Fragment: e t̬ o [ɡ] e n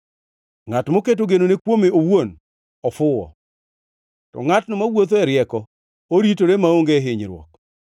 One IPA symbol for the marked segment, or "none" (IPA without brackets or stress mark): ɡ